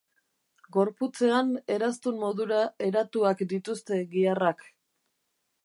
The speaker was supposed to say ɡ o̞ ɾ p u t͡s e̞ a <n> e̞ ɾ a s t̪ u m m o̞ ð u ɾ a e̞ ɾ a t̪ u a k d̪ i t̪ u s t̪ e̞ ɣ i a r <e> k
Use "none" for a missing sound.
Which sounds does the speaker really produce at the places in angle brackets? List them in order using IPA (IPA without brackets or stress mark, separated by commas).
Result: n, a